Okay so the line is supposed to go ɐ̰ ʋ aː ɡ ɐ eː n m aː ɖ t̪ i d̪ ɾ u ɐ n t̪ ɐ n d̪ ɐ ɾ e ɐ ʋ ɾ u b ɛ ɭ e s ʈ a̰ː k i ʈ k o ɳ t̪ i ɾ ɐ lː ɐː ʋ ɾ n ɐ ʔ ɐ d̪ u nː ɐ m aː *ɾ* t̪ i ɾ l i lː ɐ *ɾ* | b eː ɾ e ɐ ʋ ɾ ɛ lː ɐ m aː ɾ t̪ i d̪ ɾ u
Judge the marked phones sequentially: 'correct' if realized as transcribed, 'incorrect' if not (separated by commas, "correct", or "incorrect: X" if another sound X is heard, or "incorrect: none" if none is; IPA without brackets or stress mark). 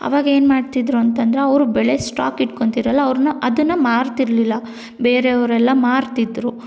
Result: correct, incorrect: none